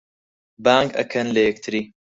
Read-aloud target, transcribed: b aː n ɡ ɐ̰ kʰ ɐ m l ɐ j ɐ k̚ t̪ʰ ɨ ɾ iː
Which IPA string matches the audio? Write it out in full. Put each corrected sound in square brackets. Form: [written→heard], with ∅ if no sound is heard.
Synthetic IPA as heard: b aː [n→ŋ] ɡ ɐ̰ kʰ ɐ [m→n] l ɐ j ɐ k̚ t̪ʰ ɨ ɾ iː

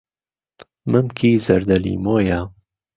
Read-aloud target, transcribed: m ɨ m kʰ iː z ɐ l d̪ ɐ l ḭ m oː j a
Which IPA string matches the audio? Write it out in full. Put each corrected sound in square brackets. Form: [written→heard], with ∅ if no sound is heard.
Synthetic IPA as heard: m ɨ m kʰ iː z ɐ [l→ɾ] d̪ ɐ l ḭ m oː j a

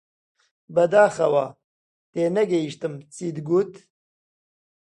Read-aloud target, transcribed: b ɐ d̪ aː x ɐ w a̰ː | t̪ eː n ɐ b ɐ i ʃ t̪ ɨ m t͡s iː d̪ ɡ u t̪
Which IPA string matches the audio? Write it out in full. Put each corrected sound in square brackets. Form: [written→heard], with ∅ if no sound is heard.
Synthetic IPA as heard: b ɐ d̪ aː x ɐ w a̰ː | t̪ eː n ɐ [b→ɡ] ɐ i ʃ t̪ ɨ m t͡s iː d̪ ɡ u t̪

